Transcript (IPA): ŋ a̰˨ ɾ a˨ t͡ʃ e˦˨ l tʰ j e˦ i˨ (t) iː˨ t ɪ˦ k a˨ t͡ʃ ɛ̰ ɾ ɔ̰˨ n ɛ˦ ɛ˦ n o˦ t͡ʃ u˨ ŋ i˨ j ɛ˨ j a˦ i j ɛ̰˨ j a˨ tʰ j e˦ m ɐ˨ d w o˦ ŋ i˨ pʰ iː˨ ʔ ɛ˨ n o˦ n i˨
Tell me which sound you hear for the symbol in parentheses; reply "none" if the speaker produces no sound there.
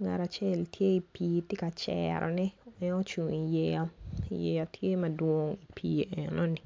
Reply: p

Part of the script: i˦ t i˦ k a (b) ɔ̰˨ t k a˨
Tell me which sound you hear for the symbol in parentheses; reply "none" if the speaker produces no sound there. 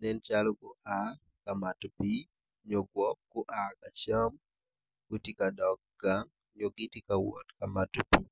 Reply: w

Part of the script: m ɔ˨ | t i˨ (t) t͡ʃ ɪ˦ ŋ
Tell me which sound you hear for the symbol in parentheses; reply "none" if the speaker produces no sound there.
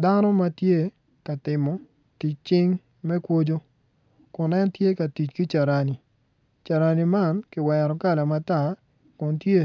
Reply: t͡ʃ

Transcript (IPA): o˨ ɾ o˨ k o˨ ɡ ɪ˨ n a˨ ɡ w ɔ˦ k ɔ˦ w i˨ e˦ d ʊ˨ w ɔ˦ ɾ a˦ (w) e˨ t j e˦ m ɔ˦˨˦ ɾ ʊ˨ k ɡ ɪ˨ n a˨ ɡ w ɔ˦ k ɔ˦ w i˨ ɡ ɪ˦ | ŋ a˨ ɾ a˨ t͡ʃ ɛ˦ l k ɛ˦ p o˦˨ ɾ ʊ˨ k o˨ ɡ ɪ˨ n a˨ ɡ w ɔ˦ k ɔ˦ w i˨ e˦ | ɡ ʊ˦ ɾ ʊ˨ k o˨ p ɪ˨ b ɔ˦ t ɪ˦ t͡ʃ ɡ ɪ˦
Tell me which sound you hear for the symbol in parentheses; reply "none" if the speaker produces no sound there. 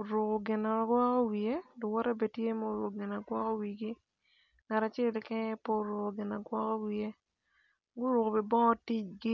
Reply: b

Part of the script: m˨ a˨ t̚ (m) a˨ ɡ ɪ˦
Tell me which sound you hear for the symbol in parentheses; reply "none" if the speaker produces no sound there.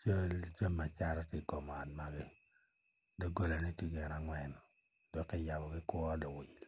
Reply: m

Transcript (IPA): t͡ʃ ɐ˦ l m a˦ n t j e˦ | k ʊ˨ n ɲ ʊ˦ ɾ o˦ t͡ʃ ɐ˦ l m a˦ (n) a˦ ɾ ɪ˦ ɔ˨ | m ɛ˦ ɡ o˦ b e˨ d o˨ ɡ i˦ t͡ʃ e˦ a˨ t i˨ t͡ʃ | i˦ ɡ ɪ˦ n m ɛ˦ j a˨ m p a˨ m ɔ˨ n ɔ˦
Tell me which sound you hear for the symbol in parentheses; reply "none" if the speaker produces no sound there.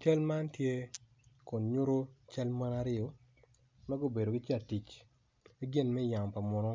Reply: n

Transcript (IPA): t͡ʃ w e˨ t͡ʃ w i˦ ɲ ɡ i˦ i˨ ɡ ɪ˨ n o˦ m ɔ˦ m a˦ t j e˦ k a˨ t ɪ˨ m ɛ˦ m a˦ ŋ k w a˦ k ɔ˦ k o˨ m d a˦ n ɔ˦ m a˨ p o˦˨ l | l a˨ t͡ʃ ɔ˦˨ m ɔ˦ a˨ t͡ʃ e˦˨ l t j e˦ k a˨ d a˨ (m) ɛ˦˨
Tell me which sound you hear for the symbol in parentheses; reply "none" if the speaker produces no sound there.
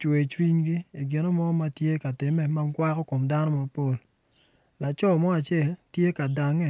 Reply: ŋ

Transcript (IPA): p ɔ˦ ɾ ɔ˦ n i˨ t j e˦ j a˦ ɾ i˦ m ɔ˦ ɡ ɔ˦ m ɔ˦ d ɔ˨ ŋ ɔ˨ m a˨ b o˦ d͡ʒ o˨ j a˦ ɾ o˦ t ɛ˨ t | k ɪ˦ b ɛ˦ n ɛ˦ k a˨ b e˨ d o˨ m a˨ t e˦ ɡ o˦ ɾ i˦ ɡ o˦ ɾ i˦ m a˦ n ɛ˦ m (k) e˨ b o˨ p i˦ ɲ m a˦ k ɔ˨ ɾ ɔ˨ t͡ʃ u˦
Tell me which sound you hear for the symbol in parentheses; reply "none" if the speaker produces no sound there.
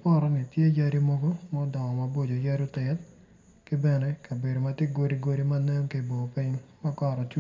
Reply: k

